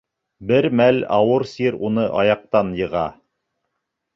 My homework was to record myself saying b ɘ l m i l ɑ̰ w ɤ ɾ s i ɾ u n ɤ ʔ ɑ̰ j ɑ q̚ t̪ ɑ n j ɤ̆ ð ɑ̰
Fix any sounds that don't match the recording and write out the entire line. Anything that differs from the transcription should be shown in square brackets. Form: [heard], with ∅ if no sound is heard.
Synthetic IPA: b ɘ [ɾ] m [æ] l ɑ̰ w ɤ ɾ s i ɾ u n ɤ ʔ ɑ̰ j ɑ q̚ t̪ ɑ n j ɤ̆ [ʁ] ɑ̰